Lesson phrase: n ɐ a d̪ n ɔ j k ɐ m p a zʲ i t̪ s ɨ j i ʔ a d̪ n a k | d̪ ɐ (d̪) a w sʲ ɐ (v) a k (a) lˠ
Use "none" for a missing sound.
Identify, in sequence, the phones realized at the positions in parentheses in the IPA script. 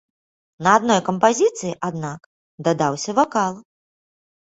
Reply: d̪, v, a

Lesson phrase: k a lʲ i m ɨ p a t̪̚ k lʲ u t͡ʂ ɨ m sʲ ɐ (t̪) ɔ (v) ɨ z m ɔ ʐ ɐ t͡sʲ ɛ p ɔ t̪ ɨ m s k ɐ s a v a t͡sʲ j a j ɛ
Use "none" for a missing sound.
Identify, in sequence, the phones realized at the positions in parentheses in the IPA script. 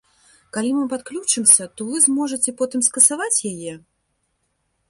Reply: t̪, v

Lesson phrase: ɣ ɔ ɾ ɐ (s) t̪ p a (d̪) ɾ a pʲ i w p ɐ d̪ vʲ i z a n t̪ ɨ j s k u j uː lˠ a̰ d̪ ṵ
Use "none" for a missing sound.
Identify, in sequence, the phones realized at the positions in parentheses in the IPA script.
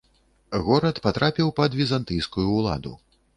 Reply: none, t̪

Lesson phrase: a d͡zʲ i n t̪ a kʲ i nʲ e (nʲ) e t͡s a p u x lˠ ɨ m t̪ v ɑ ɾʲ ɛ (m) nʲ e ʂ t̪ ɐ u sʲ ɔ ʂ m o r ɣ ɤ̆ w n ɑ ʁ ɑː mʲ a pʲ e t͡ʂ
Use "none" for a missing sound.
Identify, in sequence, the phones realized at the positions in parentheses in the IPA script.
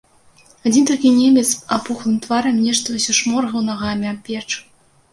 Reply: mʲ, m

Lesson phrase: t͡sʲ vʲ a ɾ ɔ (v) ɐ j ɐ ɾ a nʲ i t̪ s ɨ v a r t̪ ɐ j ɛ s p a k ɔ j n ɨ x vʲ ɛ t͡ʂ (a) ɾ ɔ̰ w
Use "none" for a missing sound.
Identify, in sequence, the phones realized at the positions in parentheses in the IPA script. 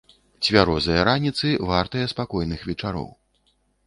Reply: z, a

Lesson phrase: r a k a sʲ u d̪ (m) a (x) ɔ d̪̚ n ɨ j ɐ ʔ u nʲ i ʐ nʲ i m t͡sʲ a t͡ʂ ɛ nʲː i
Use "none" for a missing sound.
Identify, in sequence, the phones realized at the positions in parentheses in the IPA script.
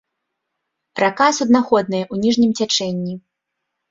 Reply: n, x

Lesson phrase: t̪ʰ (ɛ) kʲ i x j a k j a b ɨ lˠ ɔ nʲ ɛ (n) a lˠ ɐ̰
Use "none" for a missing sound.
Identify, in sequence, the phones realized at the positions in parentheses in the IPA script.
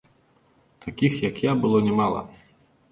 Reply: a, m

